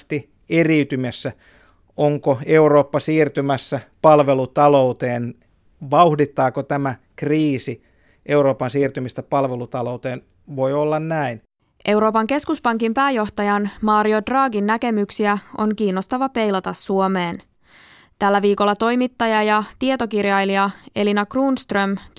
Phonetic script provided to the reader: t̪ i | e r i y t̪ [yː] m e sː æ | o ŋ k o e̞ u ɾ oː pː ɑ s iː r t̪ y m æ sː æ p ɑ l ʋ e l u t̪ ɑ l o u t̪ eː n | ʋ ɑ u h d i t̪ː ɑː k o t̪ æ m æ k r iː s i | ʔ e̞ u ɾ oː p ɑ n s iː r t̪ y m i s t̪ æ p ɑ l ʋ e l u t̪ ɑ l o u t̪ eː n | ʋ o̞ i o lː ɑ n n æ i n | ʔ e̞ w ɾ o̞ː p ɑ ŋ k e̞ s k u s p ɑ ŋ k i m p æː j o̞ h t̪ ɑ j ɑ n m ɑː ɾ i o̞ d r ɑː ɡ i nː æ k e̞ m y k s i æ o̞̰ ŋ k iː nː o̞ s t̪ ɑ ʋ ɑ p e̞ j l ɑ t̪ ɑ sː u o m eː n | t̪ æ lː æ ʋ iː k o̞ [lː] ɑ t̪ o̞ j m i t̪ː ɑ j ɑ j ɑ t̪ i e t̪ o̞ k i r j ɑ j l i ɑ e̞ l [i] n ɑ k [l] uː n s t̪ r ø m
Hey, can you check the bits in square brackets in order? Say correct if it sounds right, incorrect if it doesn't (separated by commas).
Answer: incorrect, correct, correct, incorrect